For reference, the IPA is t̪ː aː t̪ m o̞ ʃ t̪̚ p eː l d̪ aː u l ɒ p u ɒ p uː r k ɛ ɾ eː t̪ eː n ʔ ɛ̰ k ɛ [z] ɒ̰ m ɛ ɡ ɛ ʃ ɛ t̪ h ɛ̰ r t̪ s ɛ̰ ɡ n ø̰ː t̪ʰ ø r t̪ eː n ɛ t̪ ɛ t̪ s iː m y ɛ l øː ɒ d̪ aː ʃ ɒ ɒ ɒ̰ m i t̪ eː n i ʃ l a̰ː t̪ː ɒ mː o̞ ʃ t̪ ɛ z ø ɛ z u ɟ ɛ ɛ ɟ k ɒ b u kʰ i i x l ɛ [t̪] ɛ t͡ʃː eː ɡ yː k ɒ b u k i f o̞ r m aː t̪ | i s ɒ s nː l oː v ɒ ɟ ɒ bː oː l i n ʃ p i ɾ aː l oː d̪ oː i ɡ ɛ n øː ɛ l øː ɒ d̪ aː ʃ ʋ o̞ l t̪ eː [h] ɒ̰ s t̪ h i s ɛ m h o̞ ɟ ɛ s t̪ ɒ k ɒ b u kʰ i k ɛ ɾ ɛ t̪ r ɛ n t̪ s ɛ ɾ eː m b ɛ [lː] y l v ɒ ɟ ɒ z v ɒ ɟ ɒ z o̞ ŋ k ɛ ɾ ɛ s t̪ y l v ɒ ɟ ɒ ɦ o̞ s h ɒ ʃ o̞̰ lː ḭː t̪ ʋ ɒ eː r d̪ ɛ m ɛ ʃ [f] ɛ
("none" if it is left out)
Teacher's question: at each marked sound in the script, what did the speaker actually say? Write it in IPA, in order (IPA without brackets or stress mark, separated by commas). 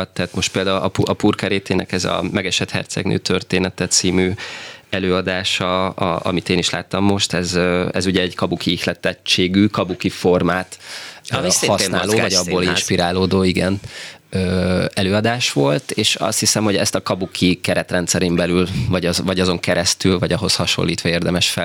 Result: z, t̪, ʃ, l, f